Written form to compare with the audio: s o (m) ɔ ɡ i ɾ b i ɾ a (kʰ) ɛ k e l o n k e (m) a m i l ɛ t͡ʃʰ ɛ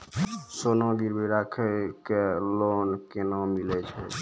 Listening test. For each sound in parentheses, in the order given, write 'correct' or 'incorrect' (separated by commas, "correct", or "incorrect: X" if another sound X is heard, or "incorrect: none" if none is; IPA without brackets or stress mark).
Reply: incorrect: n, correct, incorrect: n